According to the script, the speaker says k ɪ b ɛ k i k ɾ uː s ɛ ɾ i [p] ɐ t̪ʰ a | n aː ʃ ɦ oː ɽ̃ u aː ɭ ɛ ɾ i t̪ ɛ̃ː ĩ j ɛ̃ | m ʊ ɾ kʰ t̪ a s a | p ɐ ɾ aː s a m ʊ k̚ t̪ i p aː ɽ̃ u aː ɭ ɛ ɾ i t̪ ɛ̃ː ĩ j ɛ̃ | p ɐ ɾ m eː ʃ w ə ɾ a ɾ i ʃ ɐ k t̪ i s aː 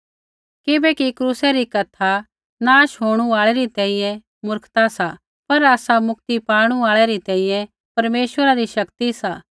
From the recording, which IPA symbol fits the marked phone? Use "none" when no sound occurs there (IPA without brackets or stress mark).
k